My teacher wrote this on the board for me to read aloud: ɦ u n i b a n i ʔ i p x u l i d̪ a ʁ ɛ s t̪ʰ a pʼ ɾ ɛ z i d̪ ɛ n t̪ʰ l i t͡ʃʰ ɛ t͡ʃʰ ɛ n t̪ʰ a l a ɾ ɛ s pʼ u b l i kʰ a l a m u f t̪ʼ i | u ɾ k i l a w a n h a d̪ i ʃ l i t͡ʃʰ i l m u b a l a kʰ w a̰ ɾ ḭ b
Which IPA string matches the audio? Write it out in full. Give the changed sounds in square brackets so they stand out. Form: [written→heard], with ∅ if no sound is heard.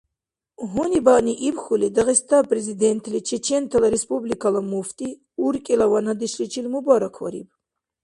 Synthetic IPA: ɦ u n i b a n i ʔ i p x u l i d̪ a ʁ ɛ s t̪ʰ a pʼ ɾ ɛ z i d̪ ɛ n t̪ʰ l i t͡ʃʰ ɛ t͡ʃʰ ɛ n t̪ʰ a l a ɾ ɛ s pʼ u b l i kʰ a l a m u f t̪ʼ i | u ɾ [k→kʼ] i l a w a n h a d̪ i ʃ l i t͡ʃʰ i l m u b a [l→ɾ] a kʰ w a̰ ɾ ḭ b